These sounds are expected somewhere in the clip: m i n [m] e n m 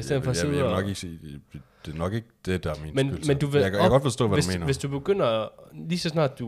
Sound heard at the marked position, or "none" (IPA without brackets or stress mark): m